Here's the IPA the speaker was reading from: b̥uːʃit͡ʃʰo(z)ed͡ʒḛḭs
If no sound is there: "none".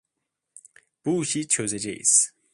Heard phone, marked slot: z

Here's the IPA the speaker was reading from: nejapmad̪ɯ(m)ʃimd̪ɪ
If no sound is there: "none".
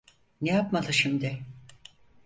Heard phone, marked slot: none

